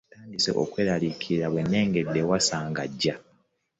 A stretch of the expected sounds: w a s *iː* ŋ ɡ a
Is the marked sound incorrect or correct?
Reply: incorrect